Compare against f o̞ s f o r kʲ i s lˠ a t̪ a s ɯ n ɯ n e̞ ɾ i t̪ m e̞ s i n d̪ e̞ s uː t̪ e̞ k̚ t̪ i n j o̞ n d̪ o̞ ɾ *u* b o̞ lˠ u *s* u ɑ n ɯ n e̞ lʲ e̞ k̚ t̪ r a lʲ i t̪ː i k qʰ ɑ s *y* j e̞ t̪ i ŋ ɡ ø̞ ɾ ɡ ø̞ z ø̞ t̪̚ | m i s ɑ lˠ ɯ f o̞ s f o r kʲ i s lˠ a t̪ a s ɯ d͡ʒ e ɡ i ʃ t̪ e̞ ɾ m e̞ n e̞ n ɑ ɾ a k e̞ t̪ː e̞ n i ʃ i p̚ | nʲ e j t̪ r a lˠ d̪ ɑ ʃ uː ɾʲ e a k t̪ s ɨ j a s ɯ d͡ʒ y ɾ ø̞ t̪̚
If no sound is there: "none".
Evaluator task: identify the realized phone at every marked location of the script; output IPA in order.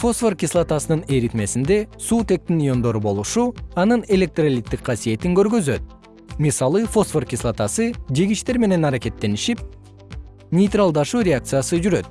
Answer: u, ʃ, i

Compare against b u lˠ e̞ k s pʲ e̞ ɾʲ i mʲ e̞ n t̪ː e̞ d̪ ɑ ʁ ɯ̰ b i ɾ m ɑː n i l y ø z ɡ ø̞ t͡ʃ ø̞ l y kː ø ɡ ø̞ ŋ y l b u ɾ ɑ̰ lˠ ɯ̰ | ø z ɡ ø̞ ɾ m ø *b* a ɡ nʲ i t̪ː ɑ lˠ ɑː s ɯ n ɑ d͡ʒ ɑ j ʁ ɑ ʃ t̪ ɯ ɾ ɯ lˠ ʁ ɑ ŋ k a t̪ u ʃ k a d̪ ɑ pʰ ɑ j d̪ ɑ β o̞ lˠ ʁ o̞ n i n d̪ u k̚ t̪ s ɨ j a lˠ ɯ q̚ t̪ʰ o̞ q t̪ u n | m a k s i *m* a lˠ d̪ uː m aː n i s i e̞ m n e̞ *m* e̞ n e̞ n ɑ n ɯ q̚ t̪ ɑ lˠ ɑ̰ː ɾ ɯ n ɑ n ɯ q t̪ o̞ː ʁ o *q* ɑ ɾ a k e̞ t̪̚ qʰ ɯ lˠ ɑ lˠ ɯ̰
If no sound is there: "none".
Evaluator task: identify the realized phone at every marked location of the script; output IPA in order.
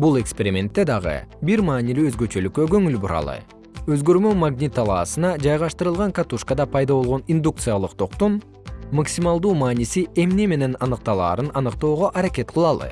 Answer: m, m, m, ʔ

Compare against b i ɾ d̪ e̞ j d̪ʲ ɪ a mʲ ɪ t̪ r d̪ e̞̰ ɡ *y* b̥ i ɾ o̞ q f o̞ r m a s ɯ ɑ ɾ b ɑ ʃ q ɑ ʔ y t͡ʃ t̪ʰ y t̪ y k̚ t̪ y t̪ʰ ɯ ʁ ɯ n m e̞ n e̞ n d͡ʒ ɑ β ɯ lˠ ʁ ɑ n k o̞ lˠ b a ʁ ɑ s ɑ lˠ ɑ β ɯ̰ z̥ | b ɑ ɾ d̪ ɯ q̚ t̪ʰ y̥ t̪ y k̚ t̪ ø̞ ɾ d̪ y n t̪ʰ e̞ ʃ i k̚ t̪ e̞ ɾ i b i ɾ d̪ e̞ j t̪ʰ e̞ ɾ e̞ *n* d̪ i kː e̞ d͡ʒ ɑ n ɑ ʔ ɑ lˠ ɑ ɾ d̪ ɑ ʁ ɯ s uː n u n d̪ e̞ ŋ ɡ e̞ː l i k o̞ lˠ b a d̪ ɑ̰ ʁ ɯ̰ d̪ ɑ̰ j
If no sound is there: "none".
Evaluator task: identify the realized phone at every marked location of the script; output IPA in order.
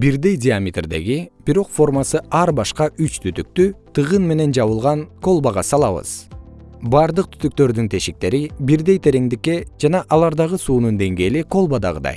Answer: i, ŋ

